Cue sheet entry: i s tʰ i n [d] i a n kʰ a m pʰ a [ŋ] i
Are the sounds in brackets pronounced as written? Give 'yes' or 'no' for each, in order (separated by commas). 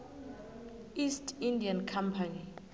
yes, no